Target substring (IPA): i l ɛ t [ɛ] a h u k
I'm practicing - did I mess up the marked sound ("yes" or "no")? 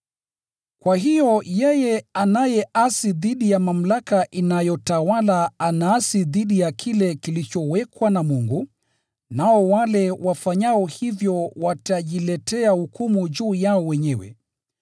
no